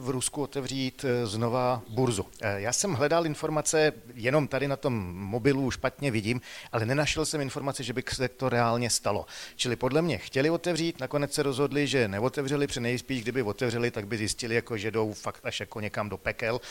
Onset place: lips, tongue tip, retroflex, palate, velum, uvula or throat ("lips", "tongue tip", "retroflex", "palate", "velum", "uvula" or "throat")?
lips